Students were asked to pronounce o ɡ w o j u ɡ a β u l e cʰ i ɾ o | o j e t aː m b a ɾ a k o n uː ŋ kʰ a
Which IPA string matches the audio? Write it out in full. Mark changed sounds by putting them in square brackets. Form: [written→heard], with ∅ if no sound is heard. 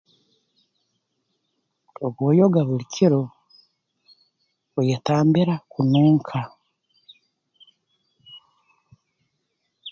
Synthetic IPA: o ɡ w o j [u→o] ɡ a β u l [e→i] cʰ i ɾ o | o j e t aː m b [a→i] ɾ a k [o→u] n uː ŋ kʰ a